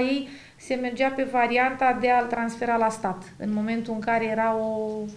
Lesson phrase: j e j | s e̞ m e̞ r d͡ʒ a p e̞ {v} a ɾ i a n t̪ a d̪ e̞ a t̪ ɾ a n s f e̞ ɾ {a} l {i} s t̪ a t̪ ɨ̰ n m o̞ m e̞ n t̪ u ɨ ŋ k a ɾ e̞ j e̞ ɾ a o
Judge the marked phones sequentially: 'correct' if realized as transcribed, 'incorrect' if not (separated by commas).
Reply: correct, correct, incorrect